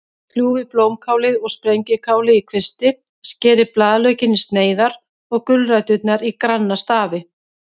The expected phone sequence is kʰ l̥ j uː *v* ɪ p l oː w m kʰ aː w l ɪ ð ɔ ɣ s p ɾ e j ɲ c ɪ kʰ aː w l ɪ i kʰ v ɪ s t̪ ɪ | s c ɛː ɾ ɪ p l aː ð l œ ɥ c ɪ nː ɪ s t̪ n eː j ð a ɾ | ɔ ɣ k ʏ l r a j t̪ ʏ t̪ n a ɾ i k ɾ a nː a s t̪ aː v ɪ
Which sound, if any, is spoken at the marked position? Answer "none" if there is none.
v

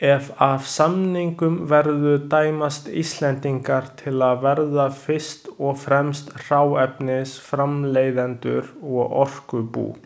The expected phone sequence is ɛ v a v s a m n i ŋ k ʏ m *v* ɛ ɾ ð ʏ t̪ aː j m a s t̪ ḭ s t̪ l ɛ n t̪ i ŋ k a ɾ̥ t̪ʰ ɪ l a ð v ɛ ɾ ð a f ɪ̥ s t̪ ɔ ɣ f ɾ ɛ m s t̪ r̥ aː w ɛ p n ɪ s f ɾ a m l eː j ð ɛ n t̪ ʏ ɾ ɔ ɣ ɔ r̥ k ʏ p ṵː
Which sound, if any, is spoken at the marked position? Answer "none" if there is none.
v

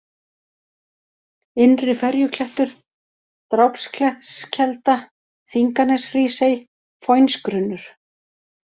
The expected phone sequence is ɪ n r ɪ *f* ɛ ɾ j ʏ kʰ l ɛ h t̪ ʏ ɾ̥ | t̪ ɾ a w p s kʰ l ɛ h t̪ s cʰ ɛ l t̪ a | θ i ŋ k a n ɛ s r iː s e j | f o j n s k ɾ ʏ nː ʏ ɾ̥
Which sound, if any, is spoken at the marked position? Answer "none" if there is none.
f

